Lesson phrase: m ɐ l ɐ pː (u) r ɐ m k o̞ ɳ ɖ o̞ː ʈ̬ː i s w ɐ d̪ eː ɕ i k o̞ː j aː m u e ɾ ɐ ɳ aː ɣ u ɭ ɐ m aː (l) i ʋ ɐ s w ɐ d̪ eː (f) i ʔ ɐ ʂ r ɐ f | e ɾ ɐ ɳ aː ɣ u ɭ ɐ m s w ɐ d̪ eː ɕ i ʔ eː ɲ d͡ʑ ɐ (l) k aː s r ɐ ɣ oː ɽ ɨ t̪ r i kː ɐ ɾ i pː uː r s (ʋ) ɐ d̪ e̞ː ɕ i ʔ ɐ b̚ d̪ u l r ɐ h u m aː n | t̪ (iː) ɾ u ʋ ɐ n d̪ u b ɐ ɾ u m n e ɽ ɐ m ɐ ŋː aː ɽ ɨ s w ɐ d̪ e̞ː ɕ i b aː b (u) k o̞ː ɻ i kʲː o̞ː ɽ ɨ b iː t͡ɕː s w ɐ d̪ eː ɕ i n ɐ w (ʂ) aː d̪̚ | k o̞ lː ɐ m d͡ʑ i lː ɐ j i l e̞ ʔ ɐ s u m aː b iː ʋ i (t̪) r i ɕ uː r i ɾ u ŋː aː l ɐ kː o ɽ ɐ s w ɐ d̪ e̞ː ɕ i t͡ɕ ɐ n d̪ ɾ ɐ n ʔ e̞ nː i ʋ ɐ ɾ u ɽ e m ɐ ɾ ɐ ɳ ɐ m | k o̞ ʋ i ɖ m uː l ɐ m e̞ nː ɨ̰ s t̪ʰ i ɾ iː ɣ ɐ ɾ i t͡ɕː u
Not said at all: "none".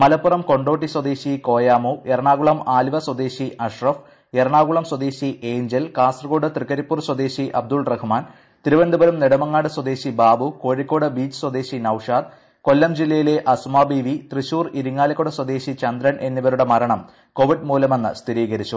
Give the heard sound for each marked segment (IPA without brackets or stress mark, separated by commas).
u, l, ɕ, l, w, i, u, ʂ, t̪